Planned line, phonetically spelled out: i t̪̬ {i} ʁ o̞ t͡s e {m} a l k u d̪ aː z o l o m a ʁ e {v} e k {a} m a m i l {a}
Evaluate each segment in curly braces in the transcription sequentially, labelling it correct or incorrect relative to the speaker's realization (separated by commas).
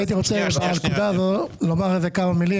correct, incorrect, incorrect, correct, incorrect